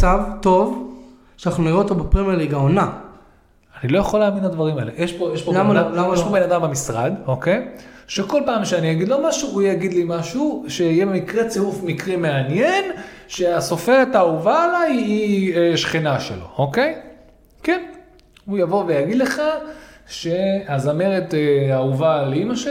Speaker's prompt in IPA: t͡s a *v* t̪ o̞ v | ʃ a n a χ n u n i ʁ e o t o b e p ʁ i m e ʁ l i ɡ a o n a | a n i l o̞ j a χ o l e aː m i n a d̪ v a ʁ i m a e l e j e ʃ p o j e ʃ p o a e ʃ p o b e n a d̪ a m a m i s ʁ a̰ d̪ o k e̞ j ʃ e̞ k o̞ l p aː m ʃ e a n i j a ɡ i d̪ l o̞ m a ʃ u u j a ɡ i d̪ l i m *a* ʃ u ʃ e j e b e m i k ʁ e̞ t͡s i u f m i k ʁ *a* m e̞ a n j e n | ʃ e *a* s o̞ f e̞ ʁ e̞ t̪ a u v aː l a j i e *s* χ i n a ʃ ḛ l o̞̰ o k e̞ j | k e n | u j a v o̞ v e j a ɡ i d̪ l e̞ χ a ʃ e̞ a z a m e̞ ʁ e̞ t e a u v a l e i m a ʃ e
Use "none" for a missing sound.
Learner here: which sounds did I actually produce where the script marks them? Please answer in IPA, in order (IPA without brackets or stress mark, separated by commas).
v, a, i, a, ʃ